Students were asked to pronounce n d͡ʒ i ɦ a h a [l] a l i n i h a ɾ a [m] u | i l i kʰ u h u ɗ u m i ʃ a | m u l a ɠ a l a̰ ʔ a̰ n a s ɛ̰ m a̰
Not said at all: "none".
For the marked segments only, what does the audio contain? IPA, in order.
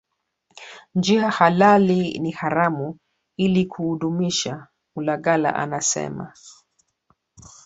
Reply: l, m

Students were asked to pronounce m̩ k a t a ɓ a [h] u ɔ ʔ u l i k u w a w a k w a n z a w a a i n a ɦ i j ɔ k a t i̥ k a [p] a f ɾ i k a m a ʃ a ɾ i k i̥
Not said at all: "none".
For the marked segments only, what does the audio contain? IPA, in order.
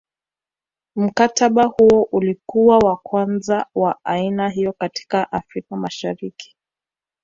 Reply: h, ʔ

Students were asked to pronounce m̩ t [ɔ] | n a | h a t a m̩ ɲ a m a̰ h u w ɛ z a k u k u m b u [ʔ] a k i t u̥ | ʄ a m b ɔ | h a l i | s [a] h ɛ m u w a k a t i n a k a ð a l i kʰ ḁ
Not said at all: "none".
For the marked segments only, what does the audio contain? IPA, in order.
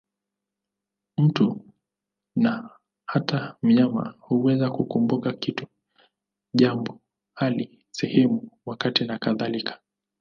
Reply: u, k, ɛ

